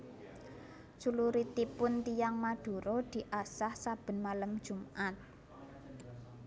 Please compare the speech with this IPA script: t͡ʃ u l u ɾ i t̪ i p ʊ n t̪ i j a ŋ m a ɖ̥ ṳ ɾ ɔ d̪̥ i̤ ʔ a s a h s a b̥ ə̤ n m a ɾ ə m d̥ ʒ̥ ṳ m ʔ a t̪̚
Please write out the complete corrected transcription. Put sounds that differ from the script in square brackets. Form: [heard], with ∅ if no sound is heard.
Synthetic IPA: t͡ʃ u l u ɾ i t̪ i p ʊ n t̪ i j a ŋ m a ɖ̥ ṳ ɾ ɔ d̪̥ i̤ ʔ a s a h s a b̥ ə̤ n m a [l] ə m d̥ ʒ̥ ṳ m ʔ a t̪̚